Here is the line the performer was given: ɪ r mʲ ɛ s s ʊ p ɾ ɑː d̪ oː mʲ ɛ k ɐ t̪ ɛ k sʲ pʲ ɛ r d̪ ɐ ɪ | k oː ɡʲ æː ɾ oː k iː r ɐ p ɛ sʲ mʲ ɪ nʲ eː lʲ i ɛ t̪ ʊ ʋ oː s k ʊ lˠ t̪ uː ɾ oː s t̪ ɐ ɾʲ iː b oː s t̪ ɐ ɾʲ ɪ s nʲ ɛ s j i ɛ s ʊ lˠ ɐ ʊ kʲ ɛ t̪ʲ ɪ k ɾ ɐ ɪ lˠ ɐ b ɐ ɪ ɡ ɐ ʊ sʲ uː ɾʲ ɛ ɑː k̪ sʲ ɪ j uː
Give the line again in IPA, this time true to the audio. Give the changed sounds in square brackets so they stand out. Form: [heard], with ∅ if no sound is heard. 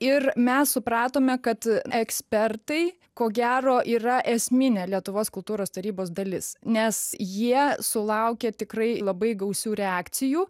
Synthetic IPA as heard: ɪ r mʲ ɛ s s ʊ p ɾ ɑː [t̪] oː mʲ ɛ k ɐ t̪ ɛ k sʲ pʲ ɛ r [t̪] ɐ ɪ | k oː ɡʲ æː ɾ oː [ʔ] iː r ɐ [ʔ] ɛ sʲ mʲ ɪ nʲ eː lʲ i ɛ t̪ ʊ ʋ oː s k ʊ lˠ t̪ uː ɾ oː s t̪ ɐ ɾʲ iː b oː s [d̪] ɐ [lʲ] ɪ s nʲ ɛ s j i ɛ s ʊ lˠ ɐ ʊ kʲ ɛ t̪ʲ ɪ k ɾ ɐ ɪ lˠ ɐ b ɐ ɪ ɡ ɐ ʊ sʲ uː ɾʲ ɛ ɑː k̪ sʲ ɪ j uː